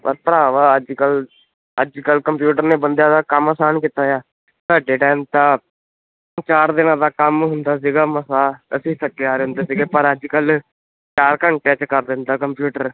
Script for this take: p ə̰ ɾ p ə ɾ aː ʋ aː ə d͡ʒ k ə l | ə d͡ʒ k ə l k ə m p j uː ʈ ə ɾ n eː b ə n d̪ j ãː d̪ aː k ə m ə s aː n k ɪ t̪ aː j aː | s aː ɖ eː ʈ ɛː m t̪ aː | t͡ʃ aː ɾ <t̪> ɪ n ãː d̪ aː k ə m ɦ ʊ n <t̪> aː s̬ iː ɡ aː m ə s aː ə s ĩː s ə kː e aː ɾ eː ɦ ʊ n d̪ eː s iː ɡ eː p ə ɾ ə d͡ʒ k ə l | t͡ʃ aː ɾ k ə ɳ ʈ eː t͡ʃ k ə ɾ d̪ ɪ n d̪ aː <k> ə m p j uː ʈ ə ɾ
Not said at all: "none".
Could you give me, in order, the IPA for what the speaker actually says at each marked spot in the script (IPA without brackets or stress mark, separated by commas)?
d̪, d̪, k